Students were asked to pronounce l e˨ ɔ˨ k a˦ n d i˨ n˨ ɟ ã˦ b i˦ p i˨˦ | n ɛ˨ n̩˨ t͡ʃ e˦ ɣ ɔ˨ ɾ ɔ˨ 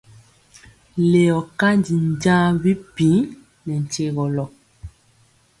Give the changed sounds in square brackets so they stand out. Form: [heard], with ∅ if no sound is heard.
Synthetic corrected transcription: l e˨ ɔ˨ k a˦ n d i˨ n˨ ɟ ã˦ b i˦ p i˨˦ | n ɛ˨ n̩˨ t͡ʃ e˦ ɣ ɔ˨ [l] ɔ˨